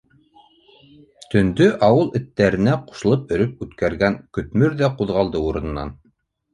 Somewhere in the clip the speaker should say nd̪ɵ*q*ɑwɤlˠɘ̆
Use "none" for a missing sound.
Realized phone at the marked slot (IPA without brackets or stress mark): ʔ